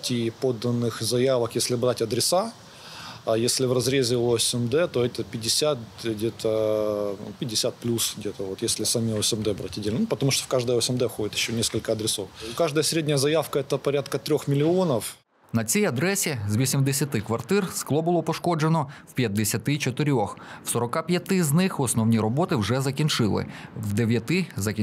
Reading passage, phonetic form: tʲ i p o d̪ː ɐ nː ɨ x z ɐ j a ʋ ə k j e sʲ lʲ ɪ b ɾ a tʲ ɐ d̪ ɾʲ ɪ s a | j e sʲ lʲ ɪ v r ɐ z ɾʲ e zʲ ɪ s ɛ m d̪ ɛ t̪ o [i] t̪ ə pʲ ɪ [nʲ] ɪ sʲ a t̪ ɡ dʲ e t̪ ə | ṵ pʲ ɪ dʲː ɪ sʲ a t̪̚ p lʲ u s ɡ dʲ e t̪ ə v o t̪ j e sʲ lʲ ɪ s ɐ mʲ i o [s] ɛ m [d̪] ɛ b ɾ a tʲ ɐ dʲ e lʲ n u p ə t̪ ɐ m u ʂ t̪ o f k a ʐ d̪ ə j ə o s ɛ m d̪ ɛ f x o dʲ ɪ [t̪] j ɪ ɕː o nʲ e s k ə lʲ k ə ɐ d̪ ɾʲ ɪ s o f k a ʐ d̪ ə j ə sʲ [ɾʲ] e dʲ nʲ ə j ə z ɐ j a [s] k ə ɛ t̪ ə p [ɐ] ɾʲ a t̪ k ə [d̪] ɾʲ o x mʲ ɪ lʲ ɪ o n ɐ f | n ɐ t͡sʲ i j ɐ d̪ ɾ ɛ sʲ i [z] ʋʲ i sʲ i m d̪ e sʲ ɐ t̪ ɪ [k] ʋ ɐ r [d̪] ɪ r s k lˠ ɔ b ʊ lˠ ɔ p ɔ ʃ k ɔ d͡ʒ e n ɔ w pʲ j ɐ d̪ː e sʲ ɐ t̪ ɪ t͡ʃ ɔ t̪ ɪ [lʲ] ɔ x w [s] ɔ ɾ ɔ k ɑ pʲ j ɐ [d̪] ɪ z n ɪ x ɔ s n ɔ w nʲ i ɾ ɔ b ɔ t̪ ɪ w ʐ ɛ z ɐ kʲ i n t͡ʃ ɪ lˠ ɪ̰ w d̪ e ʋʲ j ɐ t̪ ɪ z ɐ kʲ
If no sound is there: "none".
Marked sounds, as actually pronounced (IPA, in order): ɛ, dʲ, s, d̪, t̪, ɾʲ, f, ɐ, t̪, z, k, t̪, ɾʲ, s, t̪

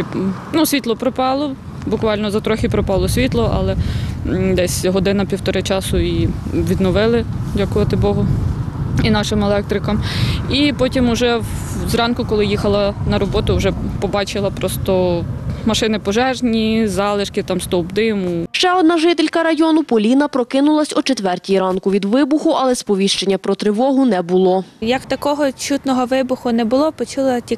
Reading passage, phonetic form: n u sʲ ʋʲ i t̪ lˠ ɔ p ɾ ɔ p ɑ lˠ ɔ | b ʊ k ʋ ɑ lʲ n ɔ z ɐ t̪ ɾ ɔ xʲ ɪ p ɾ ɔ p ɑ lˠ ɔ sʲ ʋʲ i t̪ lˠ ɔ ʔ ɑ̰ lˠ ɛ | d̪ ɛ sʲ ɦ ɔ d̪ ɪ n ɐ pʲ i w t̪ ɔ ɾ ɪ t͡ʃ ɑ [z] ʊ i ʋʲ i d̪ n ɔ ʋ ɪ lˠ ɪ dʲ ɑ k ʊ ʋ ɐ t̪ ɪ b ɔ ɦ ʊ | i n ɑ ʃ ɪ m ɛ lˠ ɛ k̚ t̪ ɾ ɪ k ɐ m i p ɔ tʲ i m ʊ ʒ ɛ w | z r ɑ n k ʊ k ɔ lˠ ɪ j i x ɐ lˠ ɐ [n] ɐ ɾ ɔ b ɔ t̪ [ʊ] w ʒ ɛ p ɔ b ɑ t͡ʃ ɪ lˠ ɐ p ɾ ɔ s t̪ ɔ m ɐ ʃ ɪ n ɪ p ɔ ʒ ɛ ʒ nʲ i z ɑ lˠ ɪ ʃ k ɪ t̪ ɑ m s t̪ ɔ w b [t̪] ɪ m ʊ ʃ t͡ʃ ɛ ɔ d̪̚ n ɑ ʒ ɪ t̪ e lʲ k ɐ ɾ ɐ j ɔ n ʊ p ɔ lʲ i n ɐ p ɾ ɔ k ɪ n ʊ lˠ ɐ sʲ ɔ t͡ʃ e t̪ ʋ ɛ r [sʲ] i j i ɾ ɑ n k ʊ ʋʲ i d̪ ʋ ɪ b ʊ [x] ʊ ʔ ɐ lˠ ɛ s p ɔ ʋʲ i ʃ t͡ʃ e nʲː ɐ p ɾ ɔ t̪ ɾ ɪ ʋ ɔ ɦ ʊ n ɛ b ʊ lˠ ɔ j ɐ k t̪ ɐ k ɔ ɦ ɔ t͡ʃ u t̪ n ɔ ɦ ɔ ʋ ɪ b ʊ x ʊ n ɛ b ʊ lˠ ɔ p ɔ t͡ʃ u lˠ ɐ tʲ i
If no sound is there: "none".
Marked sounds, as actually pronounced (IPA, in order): s, n, ʊ, d̪, tʲ, x

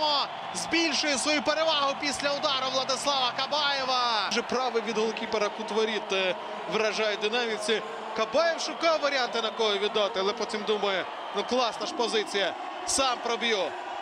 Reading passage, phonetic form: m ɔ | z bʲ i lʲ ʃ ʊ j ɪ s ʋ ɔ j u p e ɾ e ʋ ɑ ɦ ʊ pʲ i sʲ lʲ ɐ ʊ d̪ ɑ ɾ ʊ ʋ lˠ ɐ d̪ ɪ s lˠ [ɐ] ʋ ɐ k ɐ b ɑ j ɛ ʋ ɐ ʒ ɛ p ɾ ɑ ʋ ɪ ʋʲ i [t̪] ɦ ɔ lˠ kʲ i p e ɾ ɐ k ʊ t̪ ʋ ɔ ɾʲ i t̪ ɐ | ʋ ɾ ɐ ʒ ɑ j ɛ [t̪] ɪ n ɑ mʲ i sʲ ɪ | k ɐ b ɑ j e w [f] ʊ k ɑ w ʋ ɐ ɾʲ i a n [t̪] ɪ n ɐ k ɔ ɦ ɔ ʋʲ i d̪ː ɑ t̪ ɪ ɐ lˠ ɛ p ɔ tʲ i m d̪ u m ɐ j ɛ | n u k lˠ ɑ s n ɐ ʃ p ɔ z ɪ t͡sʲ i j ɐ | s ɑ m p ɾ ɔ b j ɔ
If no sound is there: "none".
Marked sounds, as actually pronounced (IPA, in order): ɑ, d̪, d̪, ʃ, t̪

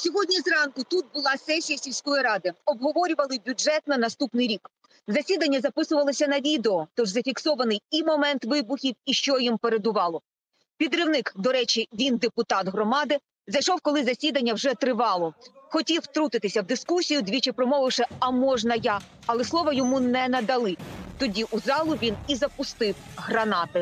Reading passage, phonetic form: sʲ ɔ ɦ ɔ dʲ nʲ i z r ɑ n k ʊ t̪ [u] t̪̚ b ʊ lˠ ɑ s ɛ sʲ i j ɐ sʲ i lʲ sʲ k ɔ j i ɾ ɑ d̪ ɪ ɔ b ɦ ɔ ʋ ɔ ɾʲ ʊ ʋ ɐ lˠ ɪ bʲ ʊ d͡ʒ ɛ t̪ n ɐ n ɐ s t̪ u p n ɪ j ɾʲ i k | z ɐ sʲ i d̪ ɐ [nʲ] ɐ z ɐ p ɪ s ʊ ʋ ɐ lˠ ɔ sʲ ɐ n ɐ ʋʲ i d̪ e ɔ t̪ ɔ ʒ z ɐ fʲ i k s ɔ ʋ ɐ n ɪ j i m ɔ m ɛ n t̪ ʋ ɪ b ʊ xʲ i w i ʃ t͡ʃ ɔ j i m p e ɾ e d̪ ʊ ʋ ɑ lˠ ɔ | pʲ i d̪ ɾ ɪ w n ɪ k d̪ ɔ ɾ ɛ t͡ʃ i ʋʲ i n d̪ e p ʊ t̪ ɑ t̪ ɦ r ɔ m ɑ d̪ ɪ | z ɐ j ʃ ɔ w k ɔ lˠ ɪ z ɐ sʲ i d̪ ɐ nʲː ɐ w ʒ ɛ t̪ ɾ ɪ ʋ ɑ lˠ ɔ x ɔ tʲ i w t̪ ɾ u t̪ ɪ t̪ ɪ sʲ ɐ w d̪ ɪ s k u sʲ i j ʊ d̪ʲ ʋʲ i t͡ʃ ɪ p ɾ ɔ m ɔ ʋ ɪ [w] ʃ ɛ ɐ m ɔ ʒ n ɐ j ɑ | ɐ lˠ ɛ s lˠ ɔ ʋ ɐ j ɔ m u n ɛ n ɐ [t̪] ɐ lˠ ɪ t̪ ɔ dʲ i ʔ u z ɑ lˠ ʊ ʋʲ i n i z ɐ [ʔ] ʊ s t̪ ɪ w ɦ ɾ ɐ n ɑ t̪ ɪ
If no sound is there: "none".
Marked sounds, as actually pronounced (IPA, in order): u, nʲː, w, d̪, p

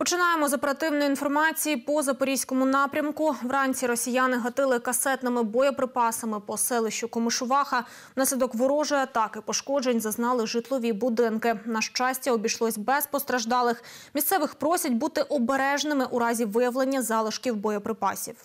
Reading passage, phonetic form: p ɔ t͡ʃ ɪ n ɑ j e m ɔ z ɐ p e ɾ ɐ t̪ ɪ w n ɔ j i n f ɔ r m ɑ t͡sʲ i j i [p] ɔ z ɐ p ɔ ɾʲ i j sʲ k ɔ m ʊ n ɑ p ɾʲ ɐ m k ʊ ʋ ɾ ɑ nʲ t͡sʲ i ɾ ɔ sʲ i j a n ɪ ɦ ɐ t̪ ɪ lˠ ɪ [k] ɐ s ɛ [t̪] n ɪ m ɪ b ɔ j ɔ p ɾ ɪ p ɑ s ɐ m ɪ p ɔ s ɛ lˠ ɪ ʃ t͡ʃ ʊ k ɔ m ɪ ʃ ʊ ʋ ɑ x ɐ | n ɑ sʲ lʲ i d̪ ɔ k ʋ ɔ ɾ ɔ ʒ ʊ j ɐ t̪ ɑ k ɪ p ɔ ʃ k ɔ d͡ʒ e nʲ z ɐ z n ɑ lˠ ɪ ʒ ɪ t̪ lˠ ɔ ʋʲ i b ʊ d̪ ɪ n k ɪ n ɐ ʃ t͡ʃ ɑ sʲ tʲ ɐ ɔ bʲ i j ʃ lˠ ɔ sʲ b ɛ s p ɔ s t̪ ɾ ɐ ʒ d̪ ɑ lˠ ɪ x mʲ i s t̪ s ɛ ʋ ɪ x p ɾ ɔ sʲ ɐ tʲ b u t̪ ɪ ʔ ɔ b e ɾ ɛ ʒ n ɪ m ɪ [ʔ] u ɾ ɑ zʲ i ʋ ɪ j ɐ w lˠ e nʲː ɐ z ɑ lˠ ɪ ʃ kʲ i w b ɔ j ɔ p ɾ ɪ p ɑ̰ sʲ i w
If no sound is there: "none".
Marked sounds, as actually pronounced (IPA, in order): p, k, t̪, ʔ

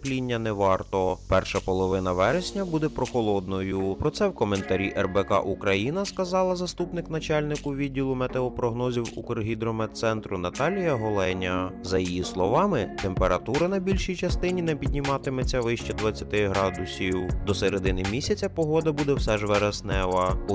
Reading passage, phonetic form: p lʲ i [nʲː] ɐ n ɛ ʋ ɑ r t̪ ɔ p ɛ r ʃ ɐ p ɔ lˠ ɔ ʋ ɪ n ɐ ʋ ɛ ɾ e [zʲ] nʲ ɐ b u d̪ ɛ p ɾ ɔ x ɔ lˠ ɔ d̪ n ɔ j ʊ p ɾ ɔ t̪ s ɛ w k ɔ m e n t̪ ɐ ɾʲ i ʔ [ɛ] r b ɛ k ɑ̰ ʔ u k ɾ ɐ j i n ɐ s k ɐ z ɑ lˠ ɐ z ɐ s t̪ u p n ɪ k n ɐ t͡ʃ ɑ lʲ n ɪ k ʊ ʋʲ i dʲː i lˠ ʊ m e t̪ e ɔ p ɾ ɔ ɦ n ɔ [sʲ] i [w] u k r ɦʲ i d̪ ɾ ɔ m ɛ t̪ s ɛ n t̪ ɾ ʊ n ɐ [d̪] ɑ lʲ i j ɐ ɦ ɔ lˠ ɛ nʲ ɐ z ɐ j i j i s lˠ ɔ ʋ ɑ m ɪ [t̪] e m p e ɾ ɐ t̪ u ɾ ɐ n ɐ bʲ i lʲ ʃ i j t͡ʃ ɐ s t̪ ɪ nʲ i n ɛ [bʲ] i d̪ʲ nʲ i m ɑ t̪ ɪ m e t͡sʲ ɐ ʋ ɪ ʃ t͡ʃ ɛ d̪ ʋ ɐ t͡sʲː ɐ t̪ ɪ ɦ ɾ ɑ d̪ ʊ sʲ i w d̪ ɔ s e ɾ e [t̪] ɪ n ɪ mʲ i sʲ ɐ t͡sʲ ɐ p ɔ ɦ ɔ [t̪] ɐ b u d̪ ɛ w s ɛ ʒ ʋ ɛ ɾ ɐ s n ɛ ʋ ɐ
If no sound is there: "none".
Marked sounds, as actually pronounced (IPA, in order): nʲː, sʲ, ɛ, zʲ, w, t̪, t̪, pʲ, d̪, d̪

